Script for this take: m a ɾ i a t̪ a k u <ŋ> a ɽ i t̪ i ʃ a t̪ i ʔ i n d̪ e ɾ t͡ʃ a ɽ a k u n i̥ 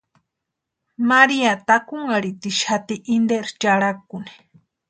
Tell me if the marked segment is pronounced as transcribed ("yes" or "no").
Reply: yes